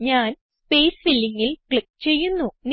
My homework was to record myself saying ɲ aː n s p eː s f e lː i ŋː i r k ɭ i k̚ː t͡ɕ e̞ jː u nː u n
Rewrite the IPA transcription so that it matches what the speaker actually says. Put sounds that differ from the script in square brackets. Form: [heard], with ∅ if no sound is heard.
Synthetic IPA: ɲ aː n s p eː s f [i] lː i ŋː i [l] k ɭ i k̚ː t͡ɕ e̞ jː u nː u n